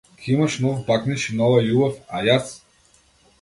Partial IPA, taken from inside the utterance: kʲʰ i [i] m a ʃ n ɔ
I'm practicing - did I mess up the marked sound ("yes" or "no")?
no